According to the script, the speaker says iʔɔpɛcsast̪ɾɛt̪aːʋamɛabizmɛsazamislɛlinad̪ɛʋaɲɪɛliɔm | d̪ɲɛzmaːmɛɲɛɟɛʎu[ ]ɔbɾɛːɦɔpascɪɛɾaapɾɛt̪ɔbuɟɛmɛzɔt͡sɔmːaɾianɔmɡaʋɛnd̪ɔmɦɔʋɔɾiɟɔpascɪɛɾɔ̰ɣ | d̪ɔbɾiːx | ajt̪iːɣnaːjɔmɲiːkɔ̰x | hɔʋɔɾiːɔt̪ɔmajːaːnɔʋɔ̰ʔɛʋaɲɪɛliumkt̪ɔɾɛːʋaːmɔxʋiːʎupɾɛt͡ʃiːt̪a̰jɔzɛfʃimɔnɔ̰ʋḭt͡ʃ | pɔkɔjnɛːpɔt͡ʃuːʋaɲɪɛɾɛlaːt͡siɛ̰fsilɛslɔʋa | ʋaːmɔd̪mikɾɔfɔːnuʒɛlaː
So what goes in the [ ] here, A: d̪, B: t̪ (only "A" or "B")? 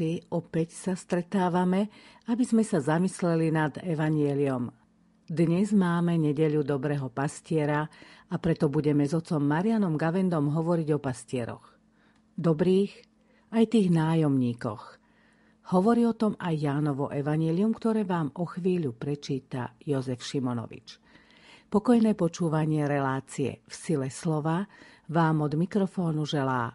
A